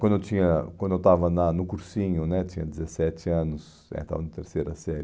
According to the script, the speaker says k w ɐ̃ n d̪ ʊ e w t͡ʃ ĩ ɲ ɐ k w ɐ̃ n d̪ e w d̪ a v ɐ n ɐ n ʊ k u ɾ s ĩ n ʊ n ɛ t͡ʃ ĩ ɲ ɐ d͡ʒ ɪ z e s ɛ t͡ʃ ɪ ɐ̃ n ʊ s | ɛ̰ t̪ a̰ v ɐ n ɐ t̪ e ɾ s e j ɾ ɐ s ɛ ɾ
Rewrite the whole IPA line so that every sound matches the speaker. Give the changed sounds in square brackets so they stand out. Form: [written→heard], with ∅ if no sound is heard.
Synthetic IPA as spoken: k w ɐ̃ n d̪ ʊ e w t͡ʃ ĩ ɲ ɐ k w ɐ̃ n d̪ e w [d̪→t̪] a v ɐ n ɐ n ʊ k u ɾ s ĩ [n→ɲ] ʊ n ɛ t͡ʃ ĩ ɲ ɐ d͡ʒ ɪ z e s ɛ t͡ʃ ɪ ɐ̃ n ʊ s | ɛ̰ t̪ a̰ v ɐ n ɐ t̪ e ɾ s e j ɾ ɐ s ɛ ɾ